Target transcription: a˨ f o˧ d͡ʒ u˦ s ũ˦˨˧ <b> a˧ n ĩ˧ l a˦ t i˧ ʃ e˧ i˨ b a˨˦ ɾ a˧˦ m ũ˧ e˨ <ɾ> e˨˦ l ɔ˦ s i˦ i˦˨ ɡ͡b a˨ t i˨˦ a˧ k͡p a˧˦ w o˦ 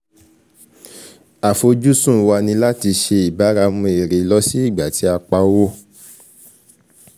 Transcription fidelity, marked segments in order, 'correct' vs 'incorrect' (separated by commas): incorrect, correct